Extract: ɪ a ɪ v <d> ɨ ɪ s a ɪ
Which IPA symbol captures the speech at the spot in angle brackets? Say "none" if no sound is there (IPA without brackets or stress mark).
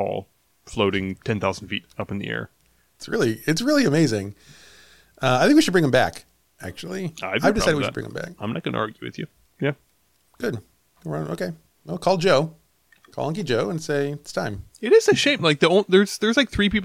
d